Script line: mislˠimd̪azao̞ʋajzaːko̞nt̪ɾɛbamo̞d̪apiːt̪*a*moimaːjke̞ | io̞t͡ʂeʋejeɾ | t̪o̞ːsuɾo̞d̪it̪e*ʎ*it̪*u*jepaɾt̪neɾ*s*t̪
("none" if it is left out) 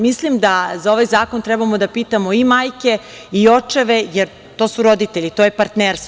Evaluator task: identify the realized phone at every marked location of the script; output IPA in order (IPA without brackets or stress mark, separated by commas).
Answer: a, ʎ, o, s